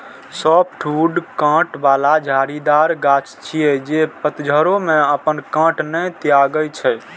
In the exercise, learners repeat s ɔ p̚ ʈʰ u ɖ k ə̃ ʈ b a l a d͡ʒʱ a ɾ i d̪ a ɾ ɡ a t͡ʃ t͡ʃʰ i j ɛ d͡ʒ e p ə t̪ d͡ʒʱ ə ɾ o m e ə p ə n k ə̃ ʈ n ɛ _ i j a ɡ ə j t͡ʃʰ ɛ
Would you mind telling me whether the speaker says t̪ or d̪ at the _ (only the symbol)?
t̪